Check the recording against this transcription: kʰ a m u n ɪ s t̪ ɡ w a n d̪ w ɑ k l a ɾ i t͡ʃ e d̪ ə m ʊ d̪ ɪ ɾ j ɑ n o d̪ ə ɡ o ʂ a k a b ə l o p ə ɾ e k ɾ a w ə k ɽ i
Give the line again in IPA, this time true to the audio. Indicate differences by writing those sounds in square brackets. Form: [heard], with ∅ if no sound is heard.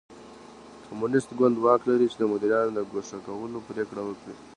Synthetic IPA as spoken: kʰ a m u n ɪ s t̪ ɡ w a n d̪ w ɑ k l a ɾ i t͡ʃ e d̪ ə m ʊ d̪ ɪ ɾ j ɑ n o d̪ ə ɡ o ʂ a k a [w] ə l o p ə ɾ e k [ɽ] a w ə k ɽ i